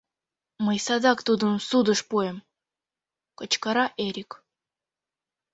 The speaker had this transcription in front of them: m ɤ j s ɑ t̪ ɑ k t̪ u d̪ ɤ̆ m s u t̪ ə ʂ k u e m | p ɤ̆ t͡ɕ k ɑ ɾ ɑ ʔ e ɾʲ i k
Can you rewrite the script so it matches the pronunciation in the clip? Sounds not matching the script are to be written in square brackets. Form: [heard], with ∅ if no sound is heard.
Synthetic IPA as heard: m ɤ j s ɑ [d̪] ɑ k t̪ u d̪ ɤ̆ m s u [d̪] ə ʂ [p] u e m | [k] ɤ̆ t͡ɕ k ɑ ɾ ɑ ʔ e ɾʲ i k